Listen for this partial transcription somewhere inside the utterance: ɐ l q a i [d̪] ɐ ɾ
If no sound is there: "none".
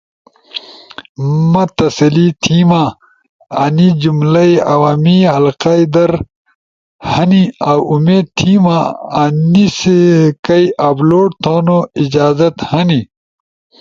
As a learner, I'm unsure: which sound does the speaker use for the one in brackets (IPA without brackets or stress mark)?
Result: d̪